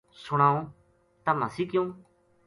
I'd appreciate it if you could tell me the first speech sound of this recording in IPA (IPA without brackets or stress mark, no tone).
s